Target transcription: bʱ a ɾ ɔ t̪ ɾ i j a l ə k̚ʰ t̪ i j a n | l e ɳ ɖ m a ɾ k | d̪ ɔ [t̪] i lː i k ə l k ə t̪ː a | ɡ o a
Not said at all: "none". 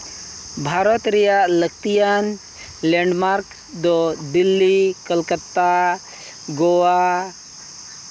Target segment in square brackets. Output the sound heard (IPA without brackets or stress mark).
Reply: d̪